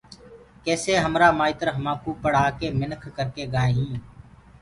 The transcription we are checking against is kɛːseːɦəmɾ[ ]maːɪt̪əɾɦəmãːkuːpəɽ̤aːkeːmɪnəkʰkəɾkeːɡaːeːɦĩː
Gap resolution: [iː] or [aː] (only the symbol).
aː